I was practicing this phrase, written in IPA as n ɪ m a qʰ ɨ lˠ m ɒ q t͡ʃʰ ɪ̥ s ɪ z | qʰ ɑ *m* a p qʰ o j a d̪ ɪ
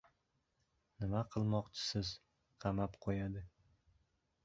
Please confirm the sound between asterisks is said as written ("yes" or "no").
yes